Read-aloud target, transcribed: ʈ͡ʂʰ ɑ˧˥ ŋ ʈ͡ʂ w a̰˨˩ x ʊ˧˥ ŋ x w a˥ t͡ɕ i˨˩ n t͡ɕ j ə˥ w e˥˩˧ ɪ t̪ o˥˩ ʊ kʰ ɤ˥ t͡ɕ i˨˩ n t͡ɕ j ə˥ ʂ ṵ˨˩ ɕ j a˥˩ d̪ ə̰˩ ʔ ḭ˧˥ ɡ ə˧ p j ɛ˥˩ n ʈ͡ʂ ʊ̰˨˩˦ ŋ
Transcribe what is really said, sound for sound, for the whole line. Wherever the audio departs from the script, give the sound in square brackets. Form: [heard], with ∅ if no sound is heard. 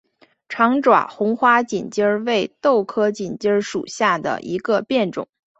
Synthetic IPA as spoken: ʈ͡ʂʰ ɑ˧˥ ŋ ʈ͡ʂ w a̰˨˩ x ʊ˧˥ ŋ x w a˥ t͡ɕ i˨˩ n t͡ɕ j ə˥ w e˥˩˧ ɪ t̪ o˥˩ ʊ kʰ ɤ˥ t͡ɕ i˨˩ n t͡ɕ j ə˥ ʂ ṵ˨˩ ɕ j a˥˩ d̪ ə̰˩ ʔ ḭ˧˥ ɡ ə˧ p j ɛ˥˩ n ʈ͡ʂ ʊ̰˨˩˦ ŋ